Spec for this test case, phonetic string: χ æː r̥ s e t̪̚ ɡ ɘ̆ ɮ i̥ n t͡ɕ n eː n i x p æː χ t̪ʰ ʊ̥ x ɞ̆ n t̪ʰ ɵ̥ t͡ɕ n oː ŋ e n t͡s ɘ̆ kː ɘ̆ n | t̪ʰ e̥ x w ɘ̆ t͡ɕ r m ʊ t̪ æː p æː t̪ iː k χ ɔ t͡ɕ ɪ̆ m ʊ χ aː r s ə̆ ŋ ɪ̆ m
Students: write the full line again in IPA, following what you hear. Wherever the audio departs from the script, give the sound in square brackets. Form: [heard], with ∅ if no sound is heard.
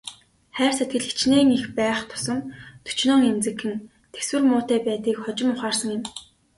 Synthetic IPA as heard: χ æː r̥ s e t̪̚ ɡ ɘ̆ ɮ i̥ [∅] t͡ɕ n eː [ŋ] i x p æː χ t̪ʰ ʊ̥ [s] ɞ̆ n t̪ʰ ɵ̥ t͡ɕ n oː ŋ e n t͡s ɘ̆ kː ɘ̆ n | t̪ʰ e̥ [s] w ɘ̆ [∅] r m [ʊː] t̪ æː p æː t̪ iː k χ ɔ t͡ɕ ɪ̆ m ʊ χ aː r s ə̆ ŋ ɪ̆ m